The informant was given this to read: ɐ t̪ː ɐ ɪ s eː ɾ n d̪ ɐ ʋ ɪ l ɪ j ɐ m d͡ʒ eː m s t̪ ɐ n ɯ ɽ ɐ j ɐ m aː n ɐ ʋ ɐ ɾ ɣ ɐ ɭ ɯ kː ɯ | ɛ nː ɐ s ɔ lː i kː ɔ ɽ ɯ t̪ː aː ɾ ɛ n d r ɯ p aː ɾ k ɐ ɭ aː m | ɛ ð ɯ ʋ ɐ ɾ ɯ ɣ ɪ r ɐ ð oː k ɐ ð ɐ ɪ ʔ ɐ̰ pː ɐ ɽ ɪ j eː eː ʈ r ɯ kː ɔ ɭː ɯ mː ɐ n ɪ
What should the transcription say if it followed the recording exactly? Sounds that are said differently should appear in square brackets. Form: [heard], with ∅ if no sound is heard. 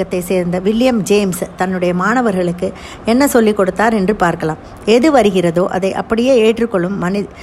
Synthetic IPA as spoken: ɐ t̪ː ɐ ɪ s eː ɾ n d̪ ɐ ʋ ɪ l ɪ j ɐ m d͡ʒ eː m s t̪ ɐ [nː] ɯ ɽ ɐ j ɐ m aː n ɐ ʋ ɐ ɾ ɣ ɐ ɭ ɯ kː ɯ | ɛ nː ɐ s ɔ lː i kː ɔ ɽ ɯ t̪ː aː ɾ ɛ n d r ɯ p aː ɾ k ɐ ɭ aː m | ɛ ð ɯ ʋ ɐ ɾ ɯ ɣ ɪ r ɐ ð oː [ʔ] ɐ ð ɐ ɪ ʔ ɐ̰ pː ɐ ɽ ɪ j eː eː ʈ r ɯ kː ɔ ɭː ɯ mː ɐ n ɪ